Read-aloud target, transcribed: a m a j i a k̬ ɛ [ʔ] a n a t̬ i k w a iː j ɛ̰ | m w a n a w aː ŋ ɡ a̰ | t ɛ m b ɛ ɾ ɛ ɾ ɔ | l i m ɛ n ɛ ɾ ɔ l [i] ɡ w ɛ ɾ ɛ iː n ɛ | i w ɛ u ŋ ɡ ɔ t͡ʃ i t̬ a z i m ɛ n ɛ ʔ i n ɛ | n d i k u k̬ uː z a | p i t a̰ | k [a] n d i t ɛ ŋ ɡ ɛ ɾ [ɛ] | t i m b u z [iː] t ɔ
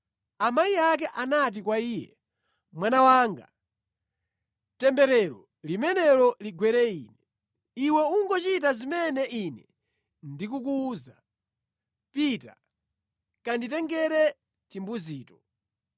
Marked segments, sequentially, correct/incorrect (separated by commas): correct, correct, correct, correct, correct